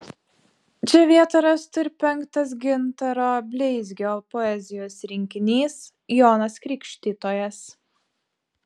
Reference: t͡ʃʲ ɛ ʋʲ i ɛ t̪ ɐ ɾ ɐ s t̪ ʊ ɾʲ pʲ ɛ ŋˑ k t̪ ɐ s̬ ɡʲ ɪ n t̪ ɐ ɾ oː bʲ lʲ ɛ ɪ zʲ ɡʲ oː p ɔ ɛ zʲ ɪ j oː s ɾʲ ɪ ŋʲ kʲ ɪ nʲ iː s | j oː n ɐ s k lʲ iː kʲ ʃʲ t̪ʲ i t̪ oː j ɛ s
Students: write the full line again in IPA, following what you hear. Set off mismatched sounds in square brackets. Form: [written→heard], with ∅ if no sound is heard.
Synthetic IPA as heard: t͡ʃʲ ɛ ʋʲ i ɛ t̪ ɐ ɾ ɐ s t̪ ʊ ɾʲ pʲ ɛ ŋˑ k t̪ ɐ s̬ ɡʲ ɪ n t̪ ɐ ɾ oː bʲ lʲ ɛ ɪ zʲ ɡʲ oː p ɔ ɛ zʲ ɪ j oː s ɾʲ ɪ ŋʲ kʲ ɪ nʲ iː s | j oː n ɐ s k [lʲ→ɾʲ] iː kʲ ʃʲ t̪ʲ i t̪ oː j ɛ s